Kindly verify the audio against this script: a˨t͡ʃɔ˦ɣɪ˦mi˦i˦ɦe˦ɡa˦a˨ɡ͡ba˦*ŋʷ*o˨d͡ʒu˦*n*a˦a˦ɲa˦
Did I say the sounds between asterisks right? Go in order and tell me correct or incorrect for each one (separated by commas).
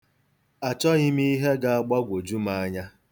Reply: incorrect, incorrect